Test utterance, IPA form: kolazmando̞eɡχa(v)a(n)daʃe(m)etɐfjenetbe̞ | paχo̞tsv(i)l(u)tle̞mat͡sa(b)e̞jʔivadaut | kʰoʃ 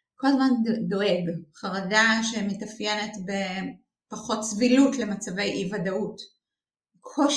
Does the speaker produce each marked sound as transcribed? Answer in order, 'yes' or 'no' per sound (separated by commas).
no, no, yes, yes, yes, no